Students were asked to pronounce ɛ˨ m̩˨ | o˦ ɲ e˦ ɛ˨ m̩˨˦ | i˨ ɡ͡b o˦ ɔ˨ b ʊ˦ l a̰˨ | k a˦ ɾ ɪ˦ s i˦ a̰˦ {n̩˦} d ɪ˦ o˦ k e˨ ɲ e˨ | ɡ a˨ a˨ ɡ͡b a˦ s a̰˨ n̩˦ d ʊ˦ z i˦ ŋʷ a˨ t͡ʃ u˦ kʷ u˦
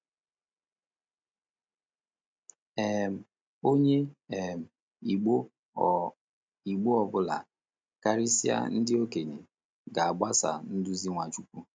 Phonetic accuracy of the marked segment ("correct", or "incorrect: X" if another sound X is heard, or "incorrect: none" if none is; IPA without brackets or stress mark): correct